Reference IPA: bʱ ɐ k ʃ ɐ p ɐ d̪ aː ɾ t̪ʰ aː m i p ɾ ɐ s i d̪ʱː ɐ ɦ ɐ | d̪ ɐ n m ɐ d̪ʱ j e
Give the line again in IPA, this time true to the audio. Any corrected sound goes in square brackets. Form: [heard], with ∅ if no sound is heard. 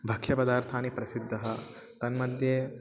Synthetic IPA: bʱ ɐ k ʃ ɐ p ɐ d̪ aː ɾ t̪ʰ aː [n] i p ɾ ɐ s i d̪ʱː ɐ ɦ ɐ | [t̪] ɐ n m ɐ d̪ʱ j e